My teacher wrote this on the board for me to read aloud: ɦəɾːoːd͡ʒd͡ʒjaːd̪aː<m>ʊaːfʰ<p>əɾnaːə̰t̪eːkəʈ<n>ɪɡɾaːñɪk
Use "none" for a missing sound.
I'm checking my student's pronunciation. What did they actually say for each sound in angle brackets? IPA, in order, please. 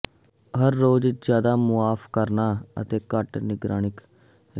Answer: m, k, n

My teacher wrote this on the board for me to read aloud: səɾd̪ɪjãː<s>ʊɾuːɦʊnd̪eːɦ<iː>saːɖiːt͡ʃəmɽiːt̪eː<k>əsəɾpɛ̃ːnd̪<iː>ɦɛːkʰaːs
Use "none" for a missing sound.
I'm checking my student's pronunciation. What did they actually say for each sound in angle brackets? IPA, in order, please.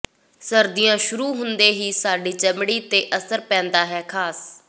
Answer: ʃ, iː, ʔ, aː

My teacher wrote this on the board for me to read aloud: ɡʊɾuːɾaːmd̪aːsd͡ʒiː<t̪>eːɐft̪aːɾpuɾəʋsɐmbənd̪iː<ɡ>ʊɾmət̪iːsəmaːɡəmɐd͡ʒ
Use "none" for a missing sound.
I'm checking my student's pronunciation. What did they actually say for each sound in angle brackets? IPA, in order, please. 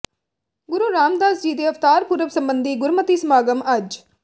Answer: d̪, ɡ

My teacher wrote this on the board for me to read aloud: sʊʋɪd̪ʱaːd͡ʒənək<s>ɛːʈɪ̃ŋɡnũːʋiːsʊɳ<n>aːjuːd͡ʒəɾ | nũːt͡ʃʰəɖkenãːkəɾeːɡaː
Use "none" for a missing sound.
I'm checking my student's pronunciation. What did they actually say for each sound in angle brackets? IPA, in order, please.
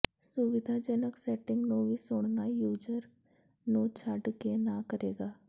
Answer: s, n

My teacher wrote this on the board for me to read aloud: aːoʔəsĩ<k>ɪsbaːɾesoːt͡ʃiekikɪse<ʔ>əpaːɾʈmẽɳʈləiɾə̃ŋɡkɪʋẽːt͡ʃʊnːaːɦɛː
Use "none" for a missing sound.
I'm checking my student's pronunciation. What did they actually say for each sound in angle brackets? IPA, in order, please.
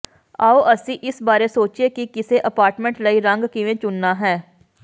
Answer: ʔ, ʔ

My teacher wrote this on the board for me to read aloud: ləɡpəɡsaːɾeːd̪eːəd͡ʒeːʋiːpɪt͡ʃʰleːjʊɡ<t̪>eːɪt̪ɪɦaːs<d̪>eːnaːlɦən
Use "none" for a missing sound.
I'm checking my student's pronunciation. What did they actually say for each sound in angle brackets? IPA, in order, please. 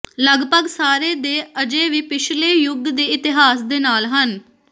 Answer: d̪, d̪

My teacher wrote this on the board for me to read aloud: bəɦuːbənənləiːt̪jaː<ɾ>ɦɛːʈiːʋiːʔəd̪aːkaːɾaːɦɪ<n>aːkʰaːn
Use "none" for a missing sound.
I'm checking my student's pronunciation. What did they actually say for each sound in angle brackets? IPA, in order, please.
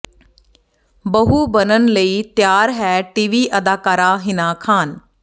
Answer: ɾ, n

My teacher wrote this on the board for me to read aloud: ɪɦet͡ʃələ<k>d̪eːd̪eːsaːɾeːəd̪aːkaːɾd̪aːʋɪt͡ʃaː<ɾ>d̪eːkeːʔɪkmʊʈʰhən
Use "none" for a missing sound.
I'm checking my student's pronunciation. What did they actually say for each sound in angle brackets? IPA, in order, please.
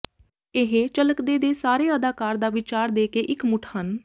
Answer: k, ɾ

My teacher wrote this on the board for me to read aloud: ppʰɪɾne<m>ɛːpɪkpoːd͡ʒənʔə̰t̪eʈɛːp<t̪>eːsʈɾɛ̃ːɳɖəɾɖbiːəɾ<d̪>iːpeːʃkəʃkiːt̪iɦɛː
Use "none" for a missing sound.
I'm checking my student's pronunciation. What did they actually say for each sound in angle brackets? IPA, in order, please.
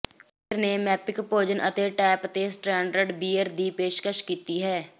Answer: m, t̪, d̪

